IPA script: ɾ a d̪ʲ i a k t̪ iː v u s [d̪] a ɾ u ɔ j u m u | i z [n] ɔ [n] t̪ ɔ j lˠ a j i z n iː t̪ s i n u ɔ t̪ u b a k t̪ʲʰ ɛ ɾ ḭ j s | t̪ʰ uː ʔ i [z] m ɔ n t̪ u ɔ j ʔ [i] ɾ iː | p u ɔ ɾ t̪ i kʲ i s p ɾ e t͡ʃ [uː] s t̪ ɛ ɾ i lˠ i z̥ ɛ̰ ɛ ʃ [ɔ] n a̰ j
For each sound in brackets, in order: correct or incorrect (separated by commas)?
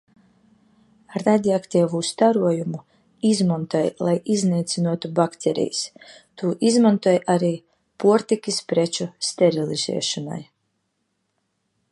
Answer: incorrect, incorrect, correct, correct, incorrect, incorrect, correct